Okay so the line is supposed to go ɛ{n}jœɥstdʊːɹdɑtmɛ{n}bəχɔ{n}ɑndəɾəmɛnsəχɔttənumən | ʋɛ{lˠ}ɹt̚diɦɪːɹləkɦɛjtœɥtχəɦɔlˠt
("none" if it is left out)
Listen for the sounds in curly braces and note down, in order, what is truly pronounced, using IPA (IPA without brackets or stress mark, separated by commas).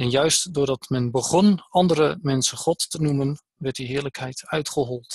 n, n, n, none